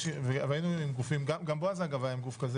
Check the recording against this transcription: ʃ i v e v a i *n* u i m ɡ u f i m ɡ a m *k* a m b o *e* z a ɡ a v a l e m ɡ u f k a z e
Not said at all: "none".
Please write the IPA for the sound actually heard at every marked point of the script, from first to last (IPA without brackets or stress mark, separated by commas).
n, ɡ, a